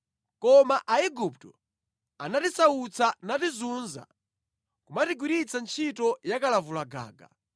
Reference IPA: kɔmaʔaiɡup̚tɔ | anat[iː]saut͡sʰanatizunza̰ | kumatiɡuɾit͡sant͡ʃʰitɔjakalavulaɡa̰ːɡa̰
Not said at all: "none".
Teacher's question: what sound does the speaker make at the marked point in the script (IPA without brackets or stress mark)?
i